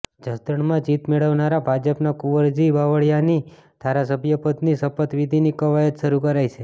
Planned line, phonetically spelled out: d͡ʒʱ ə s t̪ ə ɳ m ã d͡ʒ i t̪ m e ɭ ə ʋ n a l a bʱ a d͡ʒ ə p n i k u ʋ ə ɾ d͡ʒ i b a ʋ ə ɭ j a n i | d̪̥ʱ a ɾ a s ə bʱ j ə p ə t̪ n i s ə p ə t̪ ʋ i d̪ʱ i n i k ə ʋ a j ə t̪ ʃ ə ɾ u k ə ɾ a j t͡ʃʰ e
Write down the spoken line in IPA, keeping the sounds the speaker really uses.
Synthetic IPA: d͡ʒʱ ə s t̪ ə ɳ m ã d͡ʒ i t̪ m e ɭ ə ʋ n a ɾ a bʱ a d͡ʒ ə p n a k u ʋ ə ɾ d͡ʒ i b a ʋ ə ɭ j a n i | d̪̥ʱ a ɾ a s ə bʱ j ə p ə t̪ n i s ə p ə t̪ ʋ i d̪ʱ i n i k ə ʋ a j ə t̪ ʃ ə ɾ u k ə ɾ a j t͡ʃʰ e